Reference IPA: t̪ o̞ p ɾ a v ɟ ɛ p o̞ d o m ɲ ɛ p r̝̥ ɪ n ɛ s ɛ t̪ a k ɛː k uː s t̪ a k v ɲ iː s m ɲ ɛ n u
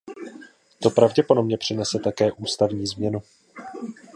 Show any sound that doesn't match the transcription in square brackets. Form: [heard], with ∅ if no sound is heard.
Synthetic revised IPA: t̪ o̞ p ɾ a v ɟ ɛ p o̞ d o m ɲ ɛ p r̝̥ ɪ n ɛ s ɛ t̪ a k ɛː [ʔ] uː s t̪ a [∅] v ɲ iː [z] m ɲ ɛ n u

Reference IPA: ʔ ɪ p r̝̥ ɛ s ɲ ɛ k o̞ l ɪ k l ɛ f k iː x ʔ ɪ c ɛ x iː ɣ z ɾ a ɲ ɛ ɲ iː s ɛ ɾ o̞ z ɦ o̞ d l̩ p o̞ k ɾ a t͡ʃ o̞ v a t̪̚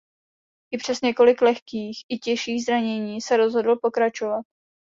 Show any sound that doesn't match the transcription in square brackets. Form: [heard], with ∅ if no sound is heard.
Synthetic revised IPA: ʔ ɪ p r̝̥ ɛ s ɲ ɛ k o̞ l ɪ k l ɛ [x] k iː x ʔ ɪ c ɛ [ʃ] iː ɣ z ɾ a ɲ ɛ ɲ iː s ɛ ɾ o̞ z ɦ o̞ d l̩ p o̞ k ɾ a t͡ʃ o̞ v a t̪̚

